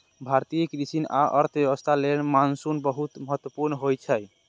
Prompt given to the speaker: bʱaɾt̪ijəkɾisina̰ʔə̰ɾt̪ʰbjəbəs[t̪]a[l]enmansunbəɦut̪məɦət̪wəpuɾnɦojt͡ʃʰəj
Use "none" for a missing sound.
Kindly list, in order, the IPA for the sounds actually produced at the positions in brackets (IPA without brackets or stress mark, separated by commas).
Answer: t̪ʰ, l